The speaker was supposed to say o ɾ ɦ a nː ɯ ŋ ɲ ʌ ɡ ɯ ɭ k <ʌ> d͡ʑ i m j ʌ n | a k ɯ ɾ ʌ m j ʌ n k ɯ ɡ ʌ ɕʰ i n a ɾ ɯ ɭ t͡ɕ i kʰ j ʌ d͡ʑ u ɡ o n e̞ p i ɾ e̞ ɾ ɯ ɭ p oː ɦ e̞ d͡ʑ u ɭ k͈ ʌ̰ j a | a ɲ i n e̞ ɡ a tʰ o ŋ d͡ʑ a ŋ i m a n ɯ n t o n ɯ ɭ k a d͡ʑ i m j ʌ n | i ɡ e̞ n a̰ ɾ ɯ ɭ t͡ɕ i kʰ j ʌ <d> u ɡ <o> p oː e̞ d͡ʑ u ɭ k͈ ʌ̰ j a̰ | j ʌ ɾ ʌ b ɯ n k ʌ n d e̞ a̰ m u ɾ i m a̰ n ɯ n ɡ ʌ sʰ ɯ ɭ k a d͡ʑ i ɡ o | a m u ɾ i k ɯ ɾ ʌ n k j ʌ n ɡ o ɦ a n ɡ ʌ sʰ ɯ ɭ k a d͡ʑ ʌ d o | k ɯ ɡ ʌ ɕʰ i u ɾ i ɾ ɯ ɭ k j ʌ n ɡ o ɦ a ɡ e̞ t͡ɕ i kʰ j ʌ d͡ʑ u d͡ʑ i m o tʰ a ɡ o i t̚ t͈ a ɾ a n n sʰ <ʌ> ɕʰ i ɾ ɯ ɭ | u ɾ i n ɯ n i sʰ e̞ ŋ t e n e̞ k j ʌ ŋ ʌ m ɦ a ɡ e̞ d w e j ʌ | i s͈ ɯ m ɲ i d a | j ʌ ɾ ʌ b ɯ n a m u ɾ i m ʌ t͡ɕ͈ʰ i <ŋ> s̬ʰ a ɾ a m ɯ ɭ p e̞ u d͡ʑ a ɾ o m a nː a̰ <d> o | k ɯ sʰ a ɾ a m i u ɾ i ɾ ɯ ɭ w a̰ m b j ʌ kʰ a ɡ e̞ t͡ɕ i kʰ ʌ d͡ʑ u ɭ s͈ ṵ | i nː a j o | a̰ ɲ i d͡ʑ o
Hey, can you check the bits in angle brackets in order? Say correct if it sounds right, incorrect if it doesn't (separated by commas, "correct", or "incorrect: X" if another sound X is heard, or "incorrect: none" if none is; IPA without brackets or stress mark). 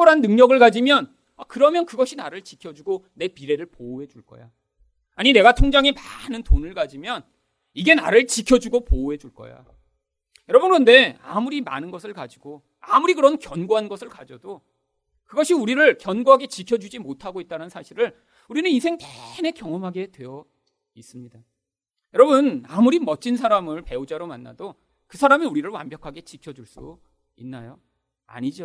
incorrect: a, incorrect: d͡ʑ, correct, incorrect: a, incorrect: n, correct